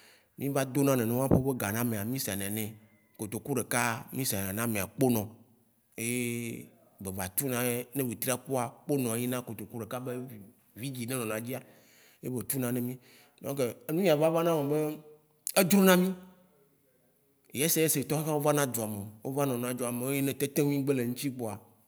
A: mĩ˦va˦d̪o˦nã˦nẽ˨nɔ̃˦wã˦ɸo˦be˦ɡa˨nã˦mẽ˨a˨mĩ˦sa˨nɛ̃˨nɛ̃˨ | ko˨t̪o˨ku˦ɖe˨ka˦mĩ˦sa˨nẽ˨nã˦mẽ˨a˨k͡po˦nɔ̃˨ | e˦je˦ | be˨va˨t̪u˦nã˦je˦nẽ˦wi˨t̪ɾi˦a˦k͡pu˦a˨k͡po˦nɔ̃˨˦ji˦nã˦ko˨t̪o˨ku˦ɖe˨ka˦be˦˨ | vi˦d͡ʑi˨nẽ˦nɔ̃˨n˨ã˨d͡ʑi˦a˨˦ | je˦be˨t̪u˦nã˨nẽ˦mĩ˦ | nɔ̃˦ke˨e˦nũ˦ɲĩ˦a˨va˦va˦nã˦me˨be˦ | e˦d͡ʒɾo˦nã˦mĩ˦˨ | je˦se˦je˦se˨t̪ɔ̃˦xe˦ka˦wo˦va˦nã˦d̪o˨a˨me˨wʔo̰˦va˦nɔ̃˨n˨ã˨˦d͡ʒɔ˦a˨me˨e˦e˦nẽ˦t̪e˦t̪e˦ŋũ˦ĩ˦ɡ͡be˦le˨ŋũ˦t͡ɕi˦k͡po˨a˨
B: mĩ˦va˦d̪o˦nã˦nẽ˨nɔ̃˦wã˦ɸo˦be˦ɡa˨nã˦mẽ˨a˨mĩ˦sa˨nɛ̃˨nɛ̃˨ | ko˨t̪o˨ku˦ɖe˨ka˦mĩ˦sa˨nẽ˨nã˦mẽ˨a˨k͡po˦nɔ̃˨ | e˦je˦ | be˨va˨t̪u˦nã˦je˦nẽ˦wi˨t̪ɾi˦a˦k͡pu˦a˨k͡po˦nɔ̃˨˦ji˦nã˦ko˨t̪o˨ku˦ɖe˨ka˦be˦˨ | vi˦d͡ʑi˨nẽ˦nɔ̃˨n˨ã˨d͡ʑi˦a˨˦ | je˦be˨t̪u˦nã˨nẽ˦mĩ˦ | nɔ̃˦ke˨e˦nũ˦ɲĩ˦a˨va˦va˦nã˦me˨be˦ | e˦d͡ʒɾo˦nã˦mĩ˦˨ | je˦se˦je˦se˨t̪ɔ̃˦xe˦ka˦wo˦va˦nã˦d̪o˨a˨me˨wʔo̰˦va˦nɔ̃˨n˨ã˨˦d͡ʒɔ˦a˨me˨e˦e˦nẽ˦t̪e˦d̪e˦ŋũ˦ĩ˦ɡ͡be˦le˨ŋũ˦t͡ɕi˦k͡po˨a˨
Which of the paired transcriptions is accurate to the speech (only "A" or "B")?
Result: A